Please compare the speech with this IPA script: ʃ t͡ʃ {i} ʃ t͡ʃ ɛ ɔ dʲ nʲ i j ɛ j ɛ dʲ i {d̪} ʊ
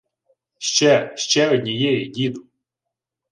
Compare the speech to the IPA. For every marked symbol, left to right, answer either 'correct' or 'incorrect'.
incorrect, correct

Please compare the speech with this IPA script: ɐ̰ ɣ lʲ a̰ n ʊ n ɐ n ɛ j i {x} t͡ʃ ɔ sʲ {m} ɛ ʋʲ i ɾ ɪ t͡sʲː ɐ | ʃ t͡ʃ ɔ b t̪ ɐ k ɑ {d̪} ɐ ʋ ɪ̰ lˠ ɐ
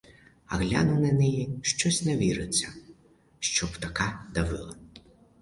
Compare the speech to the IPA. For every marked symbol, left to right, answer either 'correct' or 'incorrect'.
incorrect, incorrect, correct

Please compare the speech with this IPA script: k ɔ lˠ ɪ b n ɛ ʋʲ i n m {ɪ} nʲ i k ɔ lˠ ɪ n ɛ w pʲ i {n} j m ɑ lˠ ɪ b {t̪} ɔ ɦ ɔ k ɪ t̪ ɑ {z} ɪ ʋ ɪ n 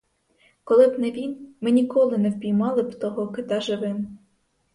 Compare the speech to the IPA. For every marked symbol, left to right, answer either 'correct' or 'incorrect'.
correct, incorrect, correct, incorrect

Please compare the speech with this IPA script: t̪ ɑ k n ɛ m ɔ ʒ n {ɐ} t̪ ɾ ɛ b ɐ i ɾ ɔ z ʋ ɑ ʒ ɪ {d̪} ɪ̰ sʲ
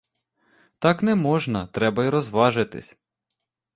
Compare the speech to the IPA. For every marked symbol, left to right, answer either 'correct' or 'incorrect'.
correct, incorrect

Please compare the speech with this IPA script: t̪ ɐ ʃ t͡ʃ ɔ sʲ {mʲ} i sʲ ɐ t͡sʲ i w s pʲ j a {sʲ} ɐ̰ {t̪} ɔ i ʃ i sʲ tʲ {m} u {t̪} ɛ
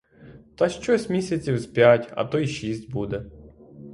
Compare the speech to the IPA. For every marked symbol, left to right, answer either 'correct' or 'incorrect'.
correct, incorrect, correct, incorrect, incorrect

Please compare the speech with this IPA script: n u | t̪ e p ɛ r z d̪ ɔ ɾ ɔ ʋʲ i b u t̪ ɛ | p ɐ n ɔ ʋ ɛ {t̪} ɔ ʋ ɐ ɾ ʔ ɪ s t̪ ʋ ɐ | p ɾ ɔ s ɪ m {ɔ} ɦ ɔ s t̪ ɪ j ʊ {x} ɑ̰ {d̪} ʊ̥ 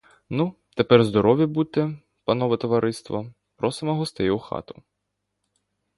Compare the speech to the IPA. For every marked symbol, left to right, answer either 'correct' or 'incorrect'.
correct, correct, correct, incorrect

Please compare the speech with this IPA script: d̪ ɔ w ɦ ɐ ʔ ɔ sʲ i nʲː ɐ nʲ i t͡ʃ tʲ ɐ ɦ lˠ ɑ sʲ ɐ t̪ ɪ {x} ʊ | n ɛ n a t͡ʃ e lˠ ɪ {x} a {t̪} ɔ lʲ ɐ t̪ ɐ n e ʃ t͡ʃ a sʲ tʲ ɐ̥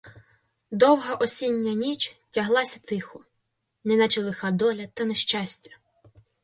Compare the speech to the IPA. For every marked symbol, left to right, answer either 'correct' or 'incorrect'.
correct, correct, incorrect

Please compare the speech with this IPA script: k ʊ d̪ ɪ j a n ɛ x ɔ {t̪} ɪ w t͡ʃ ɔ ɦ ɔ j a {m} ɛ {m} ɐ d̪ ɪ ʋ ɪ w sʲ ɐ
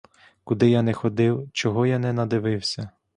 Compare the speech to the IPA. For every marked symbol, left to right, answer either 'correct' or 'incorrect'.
incorrect, incorrect, incorrect

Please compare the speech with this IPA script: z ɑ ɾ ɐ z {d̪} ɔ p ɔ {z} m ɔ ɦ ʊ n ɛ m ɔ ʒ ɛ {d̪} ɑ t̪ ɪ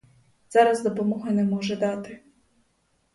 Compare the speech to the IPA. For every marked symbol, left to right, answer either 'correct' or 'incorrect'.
correct, incorrect, correct

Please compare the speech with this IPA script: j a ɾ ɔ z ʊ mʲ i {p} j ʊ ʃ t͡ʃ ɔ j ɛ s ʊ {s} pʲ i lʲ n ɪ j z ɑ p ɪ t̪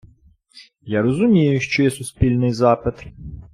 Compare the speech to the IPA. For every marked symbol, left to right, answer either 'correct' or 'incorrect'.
incorrect, correct

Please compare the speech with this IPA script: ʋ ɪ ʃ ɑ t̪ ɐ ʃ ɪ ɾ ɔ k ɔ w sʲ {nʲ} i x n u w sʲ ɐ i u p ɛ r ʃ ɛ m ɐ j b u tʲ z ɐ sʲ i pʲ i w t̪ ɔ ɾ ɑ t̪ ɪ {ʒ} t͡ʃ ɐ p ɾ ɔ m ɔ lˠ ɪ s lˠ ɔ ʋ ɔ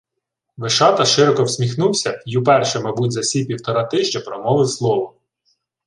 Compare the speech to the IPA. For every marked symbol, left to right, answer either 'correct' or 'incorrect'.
incorrect, correct

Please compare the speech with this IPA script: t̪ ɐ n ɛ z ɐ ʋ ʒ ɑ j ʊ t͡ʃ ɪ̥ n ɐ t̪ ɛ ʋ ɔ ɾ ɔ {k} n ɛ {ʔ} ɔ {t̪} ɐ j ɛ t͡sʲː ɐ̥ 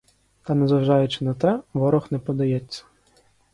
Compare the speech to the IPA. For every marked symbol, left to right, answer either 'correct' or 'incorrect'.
incorrect, incorrect, incorrect

